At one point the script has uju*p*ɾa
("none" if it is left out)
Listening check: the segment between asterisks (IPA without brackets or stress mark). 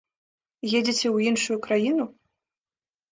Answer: k